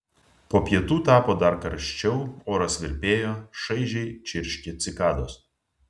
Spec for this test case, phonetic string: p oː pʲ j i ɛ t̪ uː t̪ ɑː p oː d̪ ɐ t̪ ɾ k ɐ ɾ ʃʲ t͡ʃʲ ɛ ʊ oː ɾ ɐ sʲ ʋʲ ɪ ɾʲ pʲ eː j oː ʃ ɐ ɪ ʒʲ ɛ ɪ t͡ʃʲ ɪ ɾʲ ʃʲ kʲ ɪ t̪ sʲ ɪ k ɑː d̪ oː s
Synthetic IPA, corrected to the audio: p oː pʲ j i ɛ t̪ uː t̪ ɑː p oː d̪ ɐ ɾ k ɐ ɾ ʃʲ t͡ʃʲ ɛ ʊ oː ɾ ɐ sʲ ʋʲ ɪ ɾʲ pʲ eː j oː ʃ ɐ ɪ ʒʲ ɛ ɪ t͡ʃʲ ɪ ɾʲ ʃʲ kʲ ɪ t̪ sʲ ɪ k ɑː d̪ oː s